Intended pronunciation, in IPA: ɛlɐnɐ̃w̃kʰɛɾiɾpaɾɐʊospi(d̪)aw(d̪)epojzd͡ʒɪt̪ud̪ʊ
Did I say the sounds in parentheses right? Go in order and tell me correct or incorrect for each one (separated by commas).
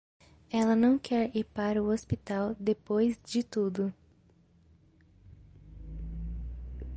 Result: incorrect, correct